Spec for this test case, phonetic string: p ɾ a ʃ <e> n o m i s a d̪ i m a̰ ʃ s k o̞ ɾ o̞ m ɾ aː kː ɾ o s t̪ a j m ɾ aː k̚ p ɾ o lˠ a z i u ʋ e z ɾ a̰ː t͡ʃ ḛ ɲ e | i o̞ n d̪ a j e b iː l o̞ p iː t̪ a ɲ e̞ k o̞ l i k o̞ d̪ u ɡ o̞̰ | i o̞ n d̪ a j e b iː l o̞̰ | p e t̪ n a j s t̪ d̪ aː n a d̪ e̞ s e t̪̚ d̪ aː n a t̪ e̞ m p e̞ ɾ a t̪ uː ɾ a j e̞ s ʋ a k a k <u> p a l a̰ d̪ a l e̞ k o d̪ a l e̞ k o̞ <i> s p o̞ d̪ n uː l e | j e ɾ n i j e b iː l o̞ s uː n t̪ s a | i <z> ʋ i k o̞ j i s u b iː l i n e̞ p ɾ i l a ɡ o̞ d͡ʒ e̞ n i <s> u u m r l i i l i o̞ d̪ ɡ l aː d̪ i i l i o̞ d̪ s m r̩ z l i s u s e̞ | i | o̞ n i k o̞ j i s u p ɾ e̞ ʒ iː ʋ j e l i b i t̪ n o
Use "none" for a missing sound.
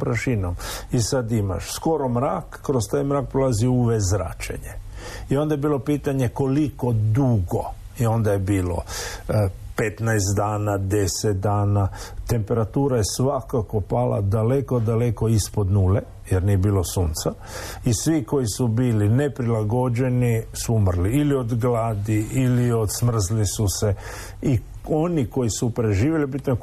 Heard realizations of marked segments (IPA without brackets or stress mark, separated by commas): i, o, i, s, s